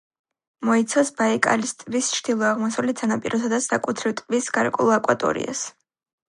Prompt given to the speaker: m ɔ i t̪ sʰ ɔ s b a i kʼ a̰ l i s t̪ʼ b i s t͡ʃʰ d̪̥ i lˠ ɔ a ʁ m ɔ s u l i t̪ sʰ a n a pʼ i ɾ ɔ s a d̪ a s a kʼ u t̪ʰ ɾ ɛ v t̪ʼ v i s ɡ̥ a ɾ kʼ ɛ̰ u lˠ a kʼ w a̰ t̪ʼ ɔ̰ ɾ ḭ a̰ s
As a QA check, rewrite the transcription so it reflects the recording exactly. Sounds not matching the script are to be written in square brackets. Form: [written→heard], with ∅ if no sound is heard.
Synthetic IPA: m ɔ i t̪ sʰ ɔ s b a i kʼ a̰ l i s t̪ʼ [b→v] i s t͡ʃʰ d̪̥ i lˠ ɔ a ʁ m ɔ s u l i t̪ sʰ a n a pʼ i ɾ ɔ s a d̪ a s a kʼ u t̪ʰ ɾ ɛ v t̪ʼ v i s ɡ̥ a ɾ kʼ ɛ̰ u lˠ a kʼ w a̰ t̪ʼ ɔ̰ ɾ ḭ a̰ s